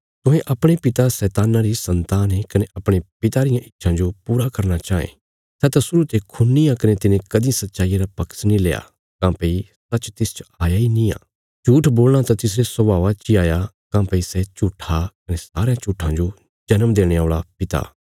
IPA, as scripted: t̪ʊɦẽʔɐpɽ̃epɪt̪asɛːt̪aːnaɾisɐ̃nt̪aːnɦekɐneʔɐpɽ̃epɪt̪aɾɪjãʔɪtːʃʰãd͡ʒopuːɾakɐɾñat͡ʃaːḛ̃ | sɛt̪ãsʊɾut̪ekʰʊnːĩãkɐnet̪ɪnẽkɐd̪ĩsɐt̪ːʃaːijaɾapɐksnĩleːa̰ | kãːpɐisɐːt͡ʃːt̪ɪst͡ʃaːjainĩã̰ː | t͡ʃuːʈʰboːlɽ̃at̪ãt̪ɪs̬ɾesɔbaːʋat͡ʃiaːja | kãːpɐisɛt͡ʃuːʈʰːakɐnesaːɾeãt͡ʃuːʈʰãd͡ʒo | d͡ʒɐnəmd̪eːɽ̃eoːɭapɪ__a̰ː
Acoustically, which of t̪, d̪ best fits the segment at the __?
t̪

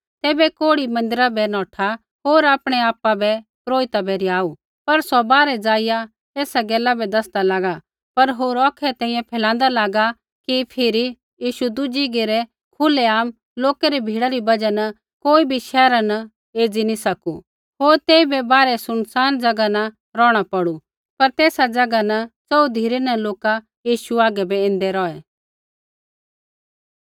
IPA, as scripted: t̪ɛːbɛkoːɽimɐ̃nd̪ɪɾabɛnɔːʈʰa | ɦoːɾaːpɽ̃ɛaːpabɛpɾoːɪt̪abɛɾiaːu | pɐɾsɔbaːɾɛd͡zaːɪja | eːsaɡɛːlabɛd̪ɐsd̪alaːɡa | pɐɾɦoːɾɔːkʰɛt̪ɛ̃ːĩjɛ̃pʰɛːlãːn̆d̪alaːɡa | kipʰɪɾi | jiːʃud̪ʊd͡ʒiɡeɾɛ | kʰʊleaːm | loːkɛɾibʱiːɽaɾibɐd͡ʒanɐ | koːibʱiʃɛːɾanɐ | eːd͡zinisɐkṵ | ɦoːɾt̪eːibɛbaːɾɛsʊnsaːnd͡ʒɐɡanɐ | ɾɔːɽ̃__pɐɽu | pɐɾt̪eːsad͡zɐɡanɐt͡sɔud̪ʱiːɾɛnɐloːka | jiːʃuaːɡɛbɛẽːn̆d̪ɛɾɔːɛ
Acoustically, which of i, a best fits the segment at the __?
a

